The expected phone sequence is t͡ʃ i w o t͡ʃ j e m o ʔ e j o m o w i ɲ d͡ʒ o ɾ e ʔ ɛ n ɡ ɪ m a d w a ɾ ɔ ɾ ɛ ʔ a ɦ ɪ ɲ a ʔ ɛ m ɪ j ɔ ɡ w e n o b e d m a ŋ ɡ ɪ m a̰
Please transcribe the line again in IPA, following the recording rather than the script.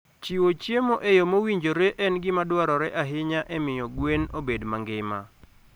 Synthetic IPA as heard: t͡ʃ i w o t͡ʃ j e m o ʔ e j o m o w i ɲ d͡ʒ o ɾ e ʔ ɛ n ɡ ɪ m a d w a ɾ ɔ ɾ ɛ ʔ a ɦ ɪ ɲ a ʔ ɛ m ɪ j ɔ ɡ w e n o b e d m a ŋ ɡ ɪ m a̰

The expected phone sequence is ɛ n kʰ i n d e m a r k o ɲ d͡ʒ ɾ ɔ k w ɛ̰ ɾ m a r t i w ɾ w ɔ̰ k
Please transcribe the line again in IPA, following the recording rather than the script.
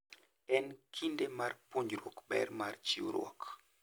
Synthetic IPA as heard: ɛ n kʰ i n d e m a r p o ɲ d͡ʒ ɾ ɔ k b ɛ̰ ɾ m a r t͡ʃ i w ɾ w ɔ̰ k

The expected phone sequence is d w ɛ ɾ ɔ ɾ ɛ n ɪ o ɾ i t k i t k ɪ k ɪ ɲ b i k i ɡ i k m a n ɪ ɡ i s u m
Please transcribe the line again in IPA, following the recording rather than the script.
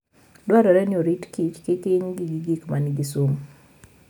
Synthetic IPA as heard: d w a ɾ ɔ ɾ ɛ n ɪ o ɾ i t k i t͡ʃ k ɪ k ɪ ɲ ɡ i ɡ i ɡ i k m a n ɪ ɡ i s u m

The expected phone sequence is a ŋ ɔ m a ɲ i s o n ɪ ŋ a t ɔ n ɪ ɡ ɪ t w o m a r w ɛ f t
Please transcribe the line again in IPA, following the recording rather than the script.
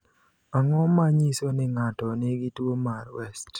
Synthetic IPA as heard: a ŋ ɔ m a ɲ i s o n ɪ ŋ a t ɔ n ɪ ɡ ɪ t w o m a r w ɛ s t

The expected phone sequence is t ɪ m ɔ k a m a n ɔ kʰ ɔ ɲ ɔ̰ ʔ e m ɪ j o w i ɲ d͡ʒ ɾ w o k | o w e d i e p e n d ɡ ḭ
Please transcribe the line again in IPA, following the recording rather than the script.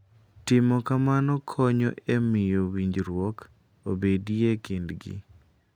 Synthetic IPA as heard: t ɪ m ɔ k a m a n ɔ kʰ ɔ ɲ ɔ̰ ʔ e m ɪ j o w i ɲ d͡ʒ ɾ w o k | o b e d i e k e n d ɡ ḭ

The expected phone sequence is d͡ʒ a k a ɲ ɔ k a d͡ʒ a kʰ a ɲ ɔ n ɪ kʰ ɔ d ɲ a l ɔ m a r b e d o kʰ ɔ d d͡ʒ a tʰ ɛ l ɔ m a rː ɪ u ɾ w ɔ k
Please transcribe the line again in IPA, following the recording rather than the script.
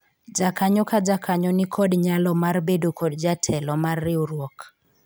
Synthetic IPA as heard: d͡ʒ a k a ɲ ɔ k a d͡ʒ a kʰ a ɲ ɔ n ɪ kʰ ɔ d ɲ a l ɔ m a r b e d o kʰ ɔ d d͡ʒ a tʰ ɛ l ɔ m a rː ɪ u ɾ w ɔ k

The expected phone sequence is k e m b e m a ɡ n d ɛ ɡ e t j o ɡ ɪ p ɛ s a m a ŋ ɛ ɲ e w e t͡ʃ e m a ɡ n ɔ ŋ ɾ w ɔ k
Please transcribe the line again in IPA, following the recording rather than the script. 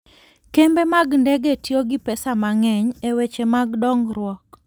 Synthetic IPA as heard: k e m b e m a ɡ n d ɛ ɡ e t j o ɡ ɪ p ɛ s a m a ŋ ɛ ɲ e w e t͡ʃ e m a ɡ d ɔ ŋ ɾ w ɔ k

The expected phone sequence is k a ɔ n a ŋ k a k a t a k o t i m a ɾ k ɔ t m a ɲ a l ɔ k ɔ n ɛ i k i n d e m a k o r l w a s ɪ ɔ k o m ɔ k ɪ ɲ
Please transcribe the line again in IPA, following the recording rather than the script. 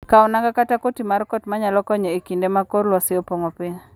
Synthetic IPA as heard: k a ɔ n a ŋ ɡ a k a t a k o t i m a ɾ k ɔ t m a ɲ a l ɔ k ɔ ɲ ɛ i k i n d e m a k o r l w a s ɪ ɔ p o ŋ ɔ p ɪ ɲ

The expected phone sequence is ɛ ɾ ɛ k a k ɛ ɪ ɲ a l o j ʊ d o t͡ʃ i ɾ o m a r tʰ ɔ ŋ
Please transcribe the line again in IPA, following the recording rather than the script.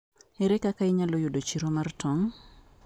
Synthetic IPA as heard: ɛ ɾ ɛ k a k a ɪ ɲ a l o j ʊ d o t͡ʃ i ɾ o m a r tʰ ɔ ŋ

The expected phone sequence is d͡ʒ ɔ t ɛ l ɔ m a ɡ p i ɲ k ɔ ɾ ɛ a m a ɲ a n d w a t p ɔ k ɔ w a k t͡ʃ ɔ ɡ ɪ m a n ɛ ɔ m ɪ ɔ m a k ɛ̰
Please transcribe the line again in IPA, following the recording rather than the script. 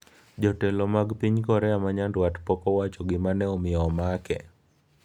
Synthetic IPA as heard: d͡ʒ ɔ t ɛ l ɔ m a ɡ p i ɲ k ɔ ɾ ɛ a m a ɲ a n d w a t p ɔ k ɔ w a t͡ʃ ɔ ɡ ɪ m a n ɛ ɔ m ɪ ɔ m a k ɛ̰

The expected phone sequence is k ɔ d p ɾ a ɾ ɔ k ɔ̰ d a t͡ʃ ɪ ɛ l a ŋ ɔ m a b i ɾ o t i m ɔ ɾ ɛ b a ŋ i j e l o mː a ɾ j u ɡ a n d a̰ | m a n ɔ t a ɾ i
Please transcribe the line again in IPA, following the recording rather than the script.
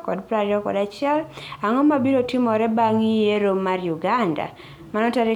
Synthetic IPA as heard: k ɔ d p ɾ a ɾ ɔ k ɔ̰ d a t͡ʃ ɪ ɛ l a ŋ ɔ m a b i ɾ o t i m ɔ ɾ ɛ b a ŋ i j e ɾ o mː a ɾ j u ɡ a n d a̰ | m a n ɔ t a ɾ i

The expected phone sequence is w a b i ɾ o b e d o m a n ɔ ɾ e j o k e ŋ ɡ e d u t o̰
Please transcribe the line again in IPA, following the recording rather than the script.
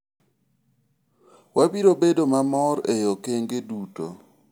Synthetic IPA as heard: w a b i ɾ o b e d o m a m ɔ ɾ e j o k e ŋ ɡ e d u t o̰

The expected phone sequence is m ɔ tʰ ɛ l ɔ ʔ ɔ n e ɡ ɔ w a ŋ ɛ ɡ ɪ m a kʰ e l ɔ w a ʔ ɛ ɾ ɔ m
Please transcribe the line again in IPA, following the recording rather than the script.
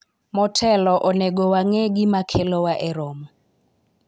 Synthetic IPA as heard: m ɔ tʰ ɛ l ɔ ʔ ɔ n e ɡ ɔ w a ŋ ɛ ɡ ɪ m a kʰ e l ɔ w a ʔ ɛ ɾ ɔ m

